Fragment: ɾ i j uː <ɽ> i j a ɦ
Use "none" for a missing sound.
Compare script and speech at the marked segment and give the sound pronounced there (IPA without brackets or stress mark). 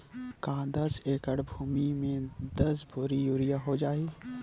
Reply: ɾ